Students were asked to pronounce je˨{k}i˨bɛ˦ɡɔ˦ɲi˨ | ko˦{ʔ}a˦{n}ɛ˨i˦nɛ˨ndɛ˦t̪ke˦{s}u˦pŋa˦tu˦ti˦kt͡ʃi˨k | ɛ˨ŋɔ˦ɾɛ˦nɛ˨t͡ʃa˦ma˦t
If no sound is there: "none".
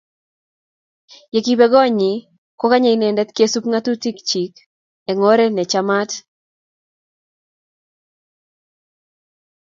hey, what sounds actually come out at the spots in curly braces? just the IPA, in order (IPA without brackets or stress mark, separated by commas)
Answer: k, k, ɲ, s